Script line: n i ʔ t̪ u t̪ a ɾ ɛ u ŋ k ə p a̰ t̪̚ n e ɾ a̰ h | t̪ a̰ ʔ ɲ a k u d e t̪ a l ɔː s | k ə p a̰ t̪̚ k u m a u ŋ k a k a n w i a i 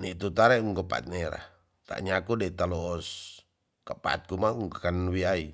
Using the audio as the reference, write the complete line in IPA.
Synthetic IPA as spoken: n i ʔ t̪ u t̪ a ɾ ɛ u ŋ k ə p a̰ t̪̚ n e ɾ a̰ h | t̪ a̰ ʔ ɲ a k u d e t̪ a l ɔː s | k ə p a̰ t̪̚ k u m a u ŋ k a k a n w i a i